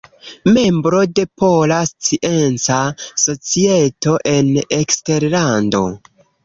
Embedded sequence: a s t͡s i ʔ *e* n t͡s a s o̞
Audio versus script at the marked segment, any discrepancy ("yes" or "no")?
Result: no